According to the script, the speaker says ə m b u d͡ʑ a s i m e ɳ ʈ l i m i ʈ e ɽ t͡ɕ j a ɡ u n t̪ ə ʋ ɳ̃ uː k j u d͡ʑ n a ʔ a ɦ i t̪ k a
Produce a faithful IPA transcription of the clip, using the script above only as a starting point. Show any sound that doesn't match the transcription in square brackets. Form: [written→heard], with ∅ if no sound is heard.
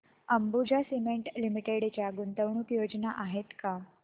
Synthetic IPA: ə m b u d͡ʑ a s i m e ɳ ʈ l i m i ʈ e ɽ t͡ɕ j a ɡ u n t̪ ə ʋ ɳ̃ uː k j [u→o] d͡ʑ n a ʔ a ɦ [i→e] t̪ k a